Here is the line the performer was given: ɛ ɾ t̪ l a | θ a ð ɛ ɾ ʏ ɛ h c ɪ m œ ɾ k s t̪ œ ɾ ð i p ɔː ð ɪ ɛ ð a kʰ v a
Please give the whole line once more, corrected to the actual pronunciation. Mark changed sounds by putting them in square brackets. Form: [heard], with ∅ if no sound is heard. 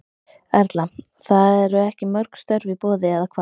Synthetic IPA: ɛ ɾ t̪ l a | θ a ð ɛ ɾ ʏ ɛ h c ɪ m œ ɾ k s t̪ œ ɾ [v] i p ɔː ð ɪ ɛ ð a kʰ v a